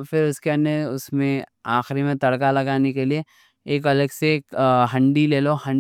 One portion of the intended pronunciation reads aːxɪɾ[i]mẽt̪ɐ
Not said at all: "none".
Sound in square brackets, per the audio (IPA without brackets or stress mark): i